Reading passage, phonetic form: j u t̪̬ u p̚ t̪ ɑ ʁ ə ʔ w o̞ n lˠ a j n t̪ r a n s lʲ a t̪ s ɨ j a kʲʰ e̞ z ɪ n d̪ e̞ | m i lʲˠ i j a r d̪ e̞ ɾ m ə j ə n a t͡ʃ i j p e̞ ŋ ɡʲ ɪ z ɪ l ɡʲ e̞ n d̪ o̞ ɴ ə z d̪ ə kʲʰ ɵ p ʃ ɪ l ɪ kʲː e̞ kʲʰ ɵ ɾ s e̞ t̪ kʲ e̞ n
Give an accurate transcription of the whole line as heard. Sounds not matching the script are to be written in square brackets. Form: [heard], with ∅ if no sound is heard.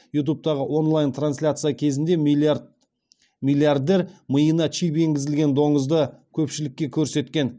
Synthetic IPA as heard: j u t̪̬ u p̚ t̪ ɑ ʁ ə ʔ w o̞ n lˠ a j n t̪ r a n s lʲ a t̪ s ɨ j a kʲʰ e̞ z ɪ n d̪ e̞ | m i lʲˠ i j a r d̪ e̞ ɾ m ə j ə n [ɑ] t͡ʃ i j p e̞ ŋ ɡʲ ɪ z ɪ l ɡʲ e̞ n d̪ o̞ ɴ ə z d̪ ə kʲʰ ɵ p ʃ ɪ l ɪ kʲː e̞ kʲʰ ɵ ɾ s e̞ t̪ kʲ e̞ n

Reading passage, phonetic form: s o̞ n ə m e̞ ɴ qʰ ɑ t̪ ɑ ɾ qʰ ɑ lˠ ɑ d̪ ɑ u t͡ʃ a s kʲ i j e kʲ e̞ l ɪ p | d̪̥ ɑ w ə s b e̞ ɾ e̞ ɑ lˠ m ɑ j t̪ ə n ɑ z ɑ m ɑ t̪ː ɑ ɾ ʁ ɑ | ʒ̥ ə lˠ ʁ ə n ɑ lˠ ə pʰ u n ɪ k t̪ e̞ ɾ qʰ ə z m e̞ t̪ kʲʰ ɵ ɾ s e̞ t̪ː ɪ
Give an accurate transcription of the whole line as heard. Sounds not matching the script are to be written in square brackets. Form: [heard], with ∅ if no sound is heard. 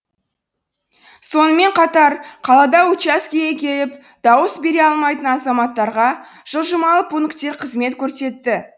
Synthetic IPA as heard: s o̞ n ə m e̞ ɴ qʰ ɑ t̪ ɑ ɾ qʰ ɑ lˠ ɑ d̪ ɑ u t͡ʃ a s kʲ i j e kʲ e̞ l ɪ p | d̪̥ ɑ w ə s b e̞ ɾ e̞ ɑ lˠ m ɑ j t̪ ə n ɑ z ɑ m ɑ t̪ː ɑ ɾ ʁ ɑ | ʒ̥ ə lˠ [ʒ] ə [m] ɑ lˠ ə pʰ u n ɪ k t̪ e̞ ɾ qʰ ə z m e̞ t̪ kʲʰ ɵ ɾ s e̞ t̪ː ɪ

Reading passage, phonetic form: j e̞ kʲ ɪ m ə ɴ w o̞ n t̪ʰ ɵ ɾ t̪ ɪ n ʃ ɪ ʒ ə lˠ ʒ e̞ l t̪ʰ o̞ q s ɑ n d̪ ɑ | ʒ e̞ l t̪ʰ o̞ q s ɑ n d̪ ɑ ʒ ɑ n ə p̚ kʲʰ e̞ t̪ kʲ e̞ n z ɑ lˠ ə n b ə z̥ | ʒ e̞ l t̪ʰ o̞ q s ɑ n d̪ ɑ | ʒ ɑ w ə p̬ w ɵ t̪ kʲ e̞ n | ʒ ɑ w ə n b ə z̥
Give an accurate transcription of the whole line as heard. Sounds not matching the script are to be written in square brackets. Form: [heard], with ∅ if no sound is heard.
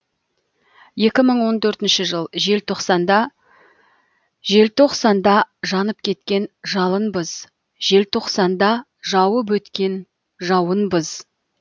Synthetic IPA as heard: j e̞ kʲ ɪ m ə ɴ w o̞ n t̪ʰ ɵ ɾ t̪ ɪ n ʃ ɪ ʒ ə lˠ ʒ e̞ l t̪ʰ o̞ q s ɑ n d̪ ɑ | ʒ e̞ l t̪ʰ o̞ q s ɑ n d̪ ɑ ʒ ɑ n ə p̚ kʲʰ e̞ t̪ kʲ e̞ n [ʒ] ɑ lˠ ə n b ə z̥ | ʒ e̞ l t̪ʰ o̞ q s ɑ n d̪ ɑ | ʒ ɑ w ə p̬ w ɵ t̪ kʲ e̞ n | ʒ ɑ w ə n b ə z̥

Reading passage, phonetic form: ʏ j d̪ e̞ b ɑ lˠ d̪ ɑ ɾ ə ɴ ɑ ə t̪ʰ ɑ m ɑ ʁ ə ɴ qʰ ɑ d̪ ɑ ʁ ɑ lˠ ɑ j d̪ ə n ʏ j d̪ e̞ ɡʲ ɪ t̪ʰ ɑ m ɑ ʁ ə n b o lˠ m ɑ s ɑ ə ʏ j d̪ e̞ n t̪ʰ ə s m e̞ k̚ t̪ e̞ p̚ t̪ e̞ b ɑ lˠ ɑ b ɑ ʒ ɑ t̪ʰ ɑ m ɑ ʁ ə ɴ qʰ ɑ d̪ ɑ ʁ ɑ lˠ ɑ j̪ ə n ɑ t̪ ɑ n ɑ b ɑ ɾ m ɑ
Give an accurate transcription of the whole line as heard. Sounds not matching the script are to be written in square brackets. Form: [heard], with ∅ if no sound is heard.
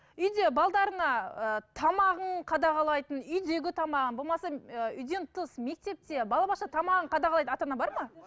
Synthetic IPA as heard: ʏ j d̪ e̞ b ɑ lˠ d̪ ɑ ɾ ə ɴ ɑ ə t̪ʰ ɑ m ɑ ʁ ə ɴ qʰ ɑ d̪ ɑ ʁ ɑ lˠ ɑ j [t̪] ə n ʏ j d̪ e̞ ɡʲ ɪ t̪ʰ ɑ m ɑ ʁ ə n b o lˠ m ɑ s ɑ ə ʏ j d̪ e̞ n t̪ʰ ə s m e̞ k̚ t̪ e̞ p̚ t̪ e̞ b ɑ lˠ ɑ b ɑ [ʃ] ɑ t̪ʰ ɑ m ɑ ʁ ə ɴ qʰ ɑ d̪ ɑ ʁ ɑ lˠ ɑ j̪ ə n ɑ t̪ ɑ n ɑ b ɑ ɾ m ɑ

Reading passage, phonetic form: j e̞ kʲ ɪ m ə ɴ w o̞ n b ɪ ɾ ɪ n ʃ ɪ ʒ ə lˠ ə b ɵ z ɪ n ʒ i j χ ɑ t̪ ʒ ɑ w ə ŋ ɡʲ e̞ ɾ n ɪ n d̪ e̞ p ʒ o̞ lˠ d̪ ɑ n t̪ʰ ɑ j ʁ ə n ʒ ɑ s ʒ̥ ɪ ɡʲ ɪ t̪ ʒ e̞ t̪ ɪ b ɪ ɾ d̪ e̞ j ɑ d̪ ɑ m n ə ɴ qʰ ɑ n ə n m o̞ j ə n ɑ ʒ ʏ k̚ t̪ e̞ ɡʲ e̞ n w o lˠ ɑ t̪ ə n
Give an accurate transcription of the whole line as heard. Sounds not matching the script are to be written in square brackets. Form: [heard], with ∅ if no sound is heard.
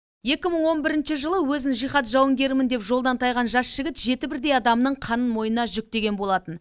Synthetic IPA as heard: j e̞ kʲ ɪ m ə ɴ w o̞ n b ɪ ɾ ɪ n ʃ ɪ ʒ ə lˠ ə [w] ɵ z ɪ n ʒ i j χ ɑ t̪ ʒ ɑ w ə ŋ ɡʲ e̞ ɾ [m] ɪ n d̪ e̞ p ʒ o̞ lˠ d̪ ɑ n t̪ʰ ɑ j ʁ [ɑ] n ʒ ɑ s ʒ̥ ɪ ɡʲ ɪ t̪ ʒ e̞ t̪ ɪ b ɪ ɾ d̪ e̞ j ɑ d̪ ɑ m n ə ɴ qʰ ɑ n ə n m o̞ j ə n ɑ ʒ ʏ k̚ t̪ e̞ ɡʲ e̞ n [b] o lˠ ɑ t̪ ə n

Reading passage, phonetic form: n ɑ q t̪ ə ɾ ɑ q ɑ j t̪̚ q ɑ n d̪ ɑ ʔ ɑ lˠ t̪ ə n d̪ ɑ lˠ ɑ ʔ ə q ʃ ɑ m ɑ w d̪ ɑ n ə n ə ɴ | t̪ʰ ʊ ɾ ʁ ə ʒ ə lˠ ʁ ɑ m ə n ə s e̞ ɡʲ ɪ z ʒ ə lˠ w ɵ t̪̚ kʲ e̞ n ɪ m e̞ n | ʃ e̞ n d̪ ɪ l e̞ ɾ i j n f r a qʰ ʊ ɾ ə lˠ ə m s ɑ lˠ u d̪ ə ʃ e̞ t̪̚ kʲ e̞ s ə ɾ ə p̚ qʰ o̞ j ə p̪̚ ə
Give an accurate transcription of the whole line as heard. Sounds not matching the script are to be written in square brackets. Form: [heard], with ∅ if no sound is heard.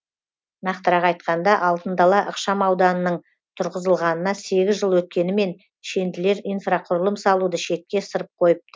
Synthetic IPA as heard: n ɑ q t̪ ə ɾ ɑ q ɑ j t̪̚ q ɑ n d̪ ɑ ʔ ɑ lˠ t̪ ə n d̪ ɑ lˠ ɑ ʔ ə q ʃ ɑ m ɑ w d̪ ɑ n ə n ə ɴ | t̪ʰ ʊ ɾ ʁ ə [z] ə lˠ ʁ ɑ [n] ə n [ɑ] s e̞ ɡʲ ɪ z ʒ ə lˠ w ɵ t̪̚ kʲ e̞ n ɪ m e̞ n | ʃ e̞ n d̪ ɪ l e̞ ɾ i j n f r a qʰ ʊ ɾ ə lˠ ə m s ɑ lˠ u d̪ ə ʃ e̞ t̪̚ kʲ e̞ s ə ɾ ə p̚ qʰ o̞ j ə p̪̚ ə

